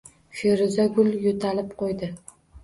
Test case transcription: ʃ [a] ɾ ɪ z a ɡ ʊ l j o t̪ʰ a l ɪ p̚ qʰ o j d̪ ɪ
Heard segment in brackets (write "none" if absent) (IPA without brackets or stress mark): e